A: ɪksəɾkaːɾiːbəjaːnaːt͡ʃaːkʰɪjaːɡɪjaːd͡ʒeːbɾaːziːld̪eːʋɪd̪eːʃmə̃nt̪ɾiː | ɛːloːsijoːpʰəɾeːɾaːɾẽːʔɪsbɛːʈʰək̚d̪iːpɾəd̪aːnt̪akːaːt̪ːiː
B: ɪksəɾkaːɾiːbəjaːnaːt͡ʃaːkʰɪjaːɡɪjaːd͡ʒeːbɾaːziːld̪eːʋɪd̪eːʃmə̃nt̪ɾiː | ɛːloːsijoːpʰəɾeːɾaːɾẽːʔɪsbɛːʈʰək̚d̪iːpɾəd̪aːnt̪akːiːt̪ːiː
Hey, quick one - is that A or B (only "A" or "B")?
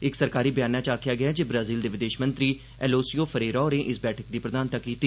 B